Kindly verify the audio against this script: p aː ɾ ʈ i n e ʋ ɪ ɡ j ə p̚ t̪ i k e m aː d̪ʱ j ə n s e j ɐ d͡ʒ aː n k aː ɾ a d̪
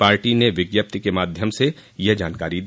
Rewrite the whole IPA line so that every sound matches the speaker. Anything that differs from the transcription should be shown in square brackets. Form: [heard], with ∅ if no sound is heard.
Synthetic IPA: p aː ɾ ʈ i n e ʋ ɪ ɡ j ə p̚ t̪ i k e m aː d̪ʱ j ə [m] s e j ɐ d͡ʒ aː n k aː ɾ [i] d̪